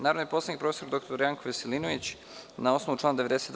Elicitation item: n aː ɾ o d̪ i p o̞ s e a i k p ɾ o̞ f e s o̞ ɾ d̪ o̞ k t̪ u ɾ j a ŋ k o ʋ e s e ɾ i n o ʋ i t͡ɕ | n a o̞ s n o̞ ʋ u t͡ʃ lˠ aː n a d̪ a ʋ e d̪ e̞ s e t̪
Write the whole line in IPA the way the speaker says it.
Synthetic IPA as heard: n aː ɾ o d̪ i p o̞ s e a i k p ɾ o̞ f e s o̞ ɾ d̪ o̞ k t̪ o ɾ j a ŋ k o ʋ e s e l i n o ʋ i t͡ɕ | n a o̞ s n o̞ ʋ u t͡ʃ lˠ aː n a d̪ e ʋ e d̪ e̞ s e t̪